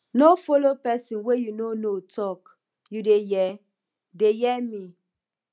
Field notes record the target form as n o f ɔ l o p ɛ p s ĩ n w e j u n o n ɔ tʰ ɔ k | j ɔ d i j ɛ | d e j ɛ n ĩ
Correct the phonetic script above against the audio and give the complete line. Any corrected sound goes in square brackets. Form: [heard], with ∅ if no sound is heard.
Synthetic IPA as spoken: n o f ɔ l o p ɛ [∅] s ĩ n w e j u n o n [o] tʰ ɔ k | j [u] d [e] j ɛ | d e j ɛ [m] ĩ